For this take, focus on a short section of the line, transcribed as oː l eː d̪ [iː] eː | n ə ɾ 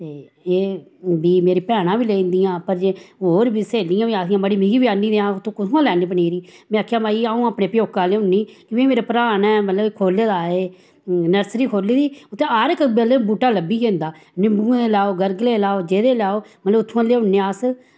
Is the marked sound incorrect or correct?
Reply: incorrect